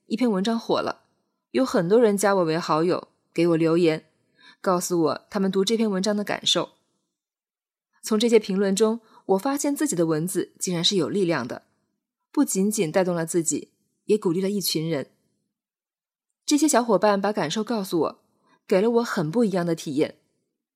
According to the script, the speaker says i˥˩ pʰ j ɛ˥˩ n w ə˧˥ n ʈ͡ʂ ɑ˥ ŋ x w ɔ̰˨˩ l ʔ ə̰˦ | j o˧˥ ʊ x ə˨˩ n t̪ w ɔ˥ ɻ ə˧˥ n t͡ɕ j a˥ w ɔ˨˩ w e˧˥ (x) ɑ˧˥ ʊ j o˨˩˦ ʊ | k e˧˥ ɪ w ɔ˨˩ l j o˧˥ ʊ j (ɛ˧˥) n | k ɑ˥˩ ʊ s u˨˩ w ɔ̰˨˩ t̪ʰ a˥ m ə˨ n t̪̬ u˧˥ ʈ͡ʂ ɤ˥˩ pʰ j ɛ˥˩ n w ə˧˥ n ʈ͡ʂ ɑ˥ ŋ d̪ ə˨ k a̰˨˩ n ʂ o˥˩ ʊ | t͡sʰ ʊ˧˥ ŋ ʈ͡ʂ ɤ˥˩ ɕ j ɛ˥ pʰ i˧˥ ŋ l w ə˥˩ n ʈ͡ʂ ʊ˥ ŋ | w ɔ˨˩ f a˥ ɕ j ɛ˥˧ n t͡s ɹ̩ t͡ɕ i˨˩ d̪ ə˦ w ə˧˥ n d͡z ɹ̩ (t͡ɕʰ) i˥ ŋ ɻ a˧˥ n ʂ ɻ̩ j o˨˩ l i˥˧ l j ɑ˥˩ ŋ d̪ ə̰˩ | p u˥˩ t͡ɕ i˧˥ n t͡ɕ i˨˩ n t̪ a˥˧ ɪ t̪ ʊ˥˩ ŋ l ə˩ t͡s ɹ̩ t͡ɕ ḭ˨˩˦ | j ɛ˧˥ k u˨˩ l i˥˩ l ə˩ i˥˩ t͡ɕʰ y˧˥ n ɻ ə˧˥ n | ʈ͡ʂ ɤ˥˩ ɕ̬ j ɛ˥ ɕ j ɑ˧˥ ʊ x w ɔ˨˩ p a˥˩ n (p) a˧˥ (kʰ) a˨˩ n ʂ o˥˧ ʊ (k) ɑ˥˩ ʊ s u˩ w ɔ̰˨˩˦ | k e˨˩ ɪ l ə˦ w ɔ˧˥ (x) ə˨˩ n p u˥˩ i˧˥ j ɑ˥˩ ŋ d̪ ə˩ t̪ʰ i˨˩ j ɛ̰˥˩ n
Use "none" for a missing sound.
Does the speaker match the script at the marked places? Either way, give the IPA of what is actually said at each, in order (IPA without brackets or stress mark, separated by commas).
x, ɛ˧˥, t͡ɕ, p, k, k, x